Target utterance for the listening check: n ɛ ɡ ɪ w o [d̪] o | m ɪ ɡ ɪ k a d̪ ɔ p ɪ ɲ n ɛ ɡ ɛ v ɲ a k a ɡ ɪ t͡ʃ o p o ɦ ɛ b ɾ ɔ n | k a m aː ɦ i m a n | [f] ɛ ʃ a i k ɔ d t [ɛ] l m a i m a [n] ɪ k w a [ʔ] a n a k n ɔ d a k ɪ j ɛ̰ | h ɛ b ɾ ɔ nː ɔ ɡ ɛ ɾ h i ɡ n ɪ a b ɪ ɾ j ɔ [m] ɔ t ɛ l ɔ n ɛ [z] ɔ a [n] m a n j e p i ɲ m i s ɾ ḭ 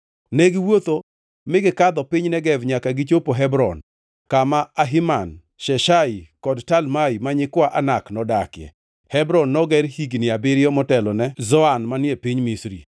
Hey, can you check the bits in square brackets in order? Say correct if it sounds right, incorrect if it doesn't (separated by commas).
incorrect, incorrect, incorrect, incorrect, correct, correct, correct, correct